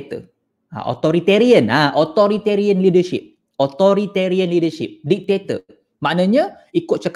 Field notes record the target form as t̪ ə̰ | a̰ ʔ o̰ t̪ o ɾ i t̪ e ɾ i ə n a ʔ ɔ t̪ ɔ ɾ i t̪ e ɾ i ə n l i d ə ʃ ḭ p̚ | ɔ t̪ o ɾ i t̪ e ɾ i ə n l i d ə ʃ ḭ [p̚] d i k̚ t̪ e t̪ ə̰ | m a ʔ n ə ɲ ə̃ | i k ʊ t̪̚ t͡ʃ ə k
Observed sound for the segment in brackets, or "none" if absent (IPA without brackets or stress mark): p̚